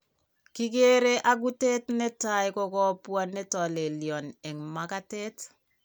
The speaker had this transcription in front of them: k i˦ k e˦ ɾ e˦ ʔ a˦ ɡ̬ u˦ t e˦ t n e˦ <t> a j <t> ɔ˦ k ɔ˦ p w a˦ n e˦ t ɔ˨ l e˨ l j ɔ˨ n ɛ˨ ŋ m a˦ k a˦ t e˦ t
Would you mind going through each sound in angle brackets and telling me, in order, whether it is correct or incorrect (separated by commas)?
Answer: correct, incorrect